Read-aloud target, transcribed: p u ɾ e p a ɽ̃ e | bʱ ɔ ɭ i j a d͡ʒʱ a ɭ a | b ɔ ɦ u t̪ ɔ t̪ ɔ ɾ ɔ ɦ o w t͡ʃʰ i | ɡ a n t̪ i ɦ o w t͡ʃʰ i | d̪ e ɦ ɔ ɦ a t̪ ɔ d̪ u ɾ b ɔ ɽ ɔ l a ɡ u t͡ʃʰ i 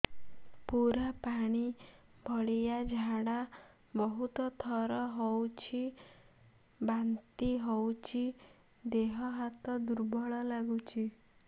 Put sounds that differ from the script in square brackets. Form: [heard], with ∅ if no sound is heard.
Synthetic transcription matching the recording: p u ɾ [a] p a ɽ̃ [i] | bʱ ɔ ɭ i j a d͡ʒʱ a [ɽ] a | b ɔ ɦ u t̪ ɔ [t̪ʰ] ɔ ɾ ɔ ɦ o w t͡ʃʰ i | [b] a n t̪ i ɦ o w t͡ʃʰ i | d̪ e ɦ ɔ ɦ a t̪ ɔ d̪ u ɾ b ɔ [ɭ] ɔ l a ɡ u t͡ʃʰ i